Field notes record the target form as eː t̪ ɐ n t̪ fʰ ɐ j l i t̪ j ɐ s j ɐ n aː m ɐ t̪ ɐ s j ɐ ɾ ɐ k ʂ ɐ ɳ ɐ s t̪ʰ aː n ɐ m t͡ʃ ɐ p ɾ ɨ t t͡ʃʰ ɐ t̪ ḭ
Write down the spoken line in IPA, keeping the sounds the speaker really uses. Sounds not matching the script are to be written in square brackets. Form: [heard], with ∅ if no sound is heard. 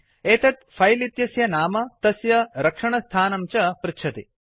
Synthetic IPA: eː t̪ ɐ [∅] t̪ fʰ ɐ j l i t̪ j ɐ s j ɐ n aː m ɐ t̪ ɐ s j ɐ ɾ ɐ k ʂ ɐ ɳ ɐ s t̪ʰ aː n ɐ m t͡ʃ ɐ p ɾ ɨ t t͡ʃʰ ɐ t̪ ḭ